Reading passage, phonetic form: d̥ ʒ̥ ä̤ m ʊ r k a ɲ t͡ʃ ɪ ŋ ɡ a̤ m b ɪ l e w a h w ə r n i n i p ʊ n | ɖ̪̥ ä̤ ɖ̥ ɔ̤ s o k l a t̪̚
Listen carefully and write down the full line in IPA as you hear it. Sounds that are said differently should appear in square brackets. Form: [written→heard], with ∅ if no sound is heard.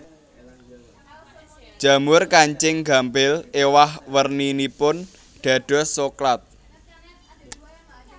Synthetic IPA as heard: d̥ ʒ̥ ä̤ m ʊ r k a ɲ t͡ʃ ɪ ŋ ɡ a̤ m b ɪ l e w a h w ə r n i n i p ʊ n | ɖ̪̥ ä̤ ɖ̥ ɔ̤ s o k l a t̪̚